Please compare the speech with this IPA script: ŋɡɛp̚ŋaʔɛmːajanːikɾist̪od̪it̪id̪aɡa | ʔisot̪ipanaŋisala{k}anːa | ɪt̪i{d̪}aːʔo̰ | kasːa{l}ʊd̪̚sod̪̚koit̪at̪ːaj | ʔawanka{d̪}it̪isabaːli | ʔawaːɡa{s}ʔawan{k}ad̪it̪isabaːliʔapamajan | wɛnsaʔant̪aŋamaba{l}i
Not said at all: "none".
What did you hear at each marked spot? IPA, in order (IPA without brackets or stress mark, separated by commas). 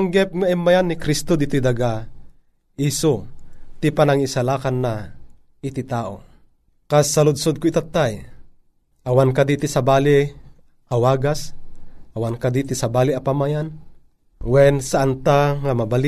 k, t̪, l, d̪, s, k, l